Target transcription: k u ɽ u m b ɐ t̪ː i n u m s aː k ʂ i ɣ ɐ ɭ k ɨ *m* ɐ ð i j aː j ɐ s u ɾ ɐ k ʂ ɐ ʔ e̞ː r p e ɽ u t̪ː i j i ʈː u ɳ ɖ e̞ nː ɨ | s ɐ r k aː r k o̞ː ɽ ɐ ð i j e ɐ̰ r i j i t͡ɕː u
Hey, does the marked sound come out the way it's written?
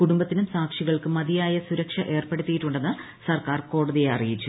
yes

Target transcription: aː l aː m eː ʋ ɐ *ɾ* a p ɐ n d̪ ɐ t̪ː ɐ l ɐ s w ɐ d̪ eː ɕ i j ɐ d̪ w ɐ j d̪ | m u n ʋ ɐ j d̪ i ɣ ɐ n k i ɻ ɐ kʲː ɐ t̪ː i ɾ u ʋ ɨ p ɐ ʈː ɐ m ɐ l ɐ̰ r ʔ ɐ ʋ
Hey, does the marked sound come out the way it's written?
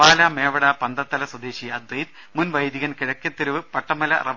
no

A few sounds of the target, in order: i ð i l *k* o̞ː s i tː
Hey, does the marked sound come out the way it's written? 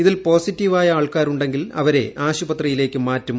no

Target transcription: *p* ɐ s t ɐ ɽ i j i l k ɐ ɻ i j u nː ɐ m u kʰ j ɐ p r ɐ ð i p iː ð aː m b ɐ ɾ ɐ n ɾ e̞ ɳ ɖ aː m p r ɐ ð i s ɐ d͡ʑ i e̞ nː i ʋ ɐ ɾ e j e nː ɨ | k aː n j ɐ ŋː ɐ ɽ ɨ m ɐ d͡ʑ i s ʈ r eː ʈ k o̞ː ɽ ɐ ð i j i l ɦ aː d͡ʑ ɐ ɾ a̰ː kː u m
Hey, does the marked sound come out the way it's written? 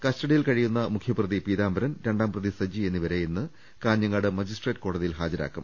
no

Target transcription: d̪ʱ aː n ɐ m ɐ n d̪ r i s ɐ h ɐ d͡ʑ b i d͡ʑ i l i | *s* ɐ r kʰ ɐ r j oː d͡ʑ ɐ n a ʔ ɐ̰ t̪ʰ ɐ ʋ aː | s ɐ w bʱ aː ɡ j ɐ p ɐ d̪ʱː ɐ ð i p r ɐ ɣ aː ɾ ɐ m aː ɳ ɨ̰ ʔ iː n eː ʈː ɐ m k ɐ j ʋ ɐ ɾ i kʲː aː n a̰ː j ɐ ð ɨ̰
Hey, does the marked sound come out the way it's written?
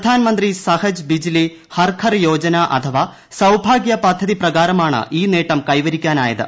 no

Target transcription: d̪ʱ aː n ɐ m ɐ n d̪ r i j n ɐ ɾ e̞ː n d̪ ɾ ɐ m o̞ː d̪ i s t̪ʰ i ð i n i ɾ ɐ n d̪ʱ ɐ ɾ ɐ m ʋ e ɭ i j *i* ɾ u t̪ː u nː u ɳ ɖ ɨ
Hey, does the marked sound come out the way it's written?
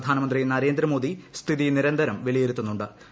no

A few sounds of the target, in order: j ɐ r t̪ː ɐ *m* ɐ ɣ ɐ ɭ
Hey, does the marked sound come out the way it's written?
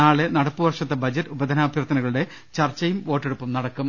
no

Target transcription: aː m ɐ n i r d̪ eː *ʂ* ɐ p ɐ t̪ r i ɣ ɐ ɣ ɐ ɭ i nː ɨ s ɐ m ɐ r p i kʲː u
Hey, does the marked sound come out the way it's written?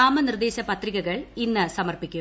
no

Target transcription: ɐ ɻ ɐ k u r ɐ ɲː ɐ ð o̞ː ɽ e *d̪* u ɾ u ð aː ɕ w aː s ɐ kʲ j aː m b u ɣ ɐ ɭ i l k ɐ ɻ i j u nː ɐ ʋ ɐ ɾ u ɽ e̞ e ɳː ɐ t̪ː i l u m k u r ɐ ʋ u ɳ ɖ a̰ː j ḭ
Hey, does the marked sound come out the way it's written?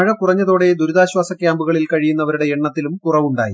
yes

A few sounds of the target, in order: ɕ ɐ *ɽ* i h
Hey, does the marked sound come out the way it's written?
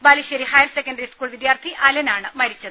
no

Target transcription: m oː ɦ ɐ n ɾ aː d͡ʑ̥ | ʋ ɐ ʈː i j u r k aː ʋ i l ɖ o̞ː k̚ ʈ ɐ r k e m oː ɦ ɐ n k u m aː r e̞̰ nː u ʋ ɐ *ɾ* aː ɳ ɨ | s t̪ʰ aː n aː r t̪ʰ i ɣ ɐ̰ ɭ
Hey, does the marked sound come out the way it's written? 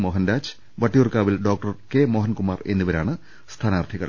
yes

